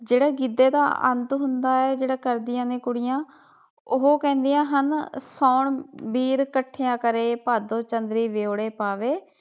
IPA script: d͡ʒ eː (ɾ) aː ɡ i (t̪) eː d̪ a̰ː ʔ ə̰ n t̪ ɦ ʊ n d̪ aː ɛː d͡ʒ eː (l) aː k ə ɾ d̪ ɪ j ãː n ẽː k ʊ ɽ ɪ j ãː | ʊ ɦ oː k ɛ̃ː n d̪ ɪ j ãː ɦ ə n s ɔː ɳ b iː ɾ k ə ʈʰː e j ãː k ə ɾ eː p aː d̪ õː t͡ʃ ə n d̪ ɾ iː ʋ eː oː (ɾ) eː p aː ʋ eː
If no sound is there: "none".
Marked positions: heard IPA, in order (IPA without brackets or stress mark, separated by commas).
ɽ, d̪, ɽ, ɽ